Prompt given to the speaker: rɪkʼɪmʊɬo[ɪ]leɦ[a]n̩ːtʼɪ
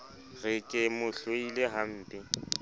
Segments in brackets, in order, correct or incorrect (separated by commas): incorrect, correct